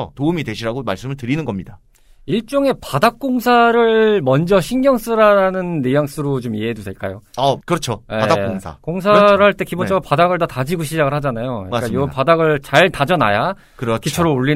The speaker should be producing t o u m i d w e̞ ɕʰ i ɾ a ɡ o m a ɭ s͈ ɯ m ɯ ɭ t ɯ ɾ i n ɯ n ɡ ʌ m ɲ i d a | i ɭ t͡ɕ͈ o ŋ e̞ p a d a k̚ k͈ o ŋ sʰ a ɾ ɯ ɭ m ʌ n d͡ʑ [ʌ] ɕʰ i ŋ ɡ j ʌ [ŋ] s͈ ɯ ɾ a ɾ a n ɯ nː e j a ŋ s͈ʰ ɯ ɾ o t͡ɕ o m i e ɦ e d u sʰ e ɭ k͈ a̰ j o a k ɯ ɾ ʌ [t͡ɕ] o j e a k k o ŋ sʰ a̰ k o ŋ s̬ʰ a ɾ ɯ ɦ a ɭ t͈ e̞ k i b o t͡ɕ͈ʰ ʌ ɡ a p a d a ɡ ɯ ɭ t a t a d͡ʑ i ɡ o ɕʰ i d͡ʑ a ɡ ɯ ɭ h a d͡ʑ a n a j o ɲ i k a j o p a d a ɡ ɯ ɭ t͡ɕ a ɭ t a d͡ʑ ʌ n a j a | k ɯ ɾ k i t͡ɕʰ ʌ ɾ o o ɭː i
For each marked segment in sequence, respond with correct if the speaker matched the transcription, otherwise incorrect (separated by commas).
correct, correct, incorrect